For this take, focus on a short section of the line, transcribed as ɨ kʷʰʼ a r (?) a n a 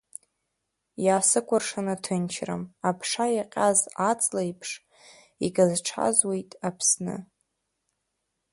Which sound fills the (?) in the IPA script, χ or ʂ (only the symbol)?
ʂ